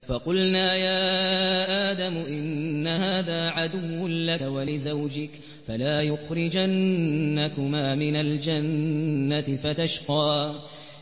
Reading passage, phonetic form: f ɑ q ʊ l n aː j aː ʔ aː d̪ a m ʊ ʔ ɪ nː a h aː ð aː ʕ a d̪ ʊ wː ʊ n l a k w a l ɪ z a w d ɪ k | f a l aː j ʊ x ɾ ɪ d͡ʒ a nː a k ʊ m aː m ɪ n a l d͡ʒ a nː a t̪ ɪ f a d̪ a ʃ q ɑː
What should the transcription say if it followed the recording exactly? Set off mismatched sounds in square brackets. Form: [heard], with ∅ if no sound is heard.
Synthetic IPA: f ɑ q ʊ l n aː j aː ʔ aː d̪ a m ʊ ʔ ɪ nː a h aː ð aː ʕ a d̪ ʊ wː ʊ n l a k w a l ɪ z a w [d͡ʒ] ɪ k | f a l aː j ʊ x ɾ ɪ d͡ʒ a nː a k ʊ m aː m ɪ n a l d͡ʒ a nː a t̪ ɪ f a [t̪] a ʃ q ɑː